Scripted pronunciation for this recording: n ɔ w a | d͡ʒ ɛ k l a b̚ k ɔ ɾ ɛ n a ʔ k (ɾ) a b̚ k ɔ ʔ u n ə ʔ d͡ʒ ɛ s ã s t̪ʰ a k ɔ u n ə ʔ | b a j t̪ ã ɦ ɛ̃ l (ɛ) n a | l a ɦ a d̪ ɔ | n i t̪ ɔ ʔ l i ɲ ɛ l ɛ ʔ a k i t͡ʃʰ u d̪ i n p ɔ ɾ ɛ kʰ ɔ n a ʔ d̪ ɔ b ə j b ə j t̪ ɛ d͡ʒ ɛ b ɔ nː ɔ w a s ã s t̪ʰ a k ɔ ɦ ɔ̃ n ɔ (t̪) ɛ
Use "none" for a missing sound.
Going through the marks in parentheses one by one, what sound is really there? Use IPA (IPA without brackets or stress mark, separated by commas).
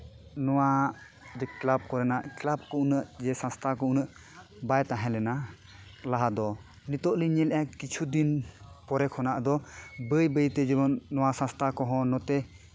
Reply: l, ɛ, t̪